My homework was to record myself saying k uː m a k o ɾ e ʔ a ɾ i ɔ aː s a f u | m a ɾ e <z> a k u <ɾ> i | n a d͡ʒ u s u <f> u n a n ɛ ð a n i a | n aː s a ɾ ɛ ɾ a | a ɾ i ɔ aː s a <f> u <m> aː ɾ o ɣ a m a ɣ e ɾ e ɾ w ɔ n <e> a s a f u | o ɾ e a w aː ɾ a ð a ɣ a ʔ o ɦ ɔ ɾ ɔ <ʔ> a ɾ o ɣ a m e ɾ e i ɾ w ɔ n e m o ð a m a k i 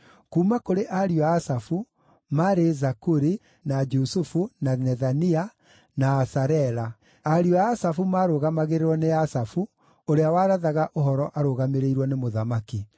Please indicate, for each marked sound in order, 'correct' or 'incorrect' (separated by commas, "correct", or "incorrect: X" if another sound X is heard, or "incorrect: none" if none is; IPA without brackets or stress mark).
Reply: correct, correct, correct, correct, correct, correct, correct